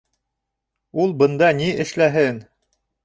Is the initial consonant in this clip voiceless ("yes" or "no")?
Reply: no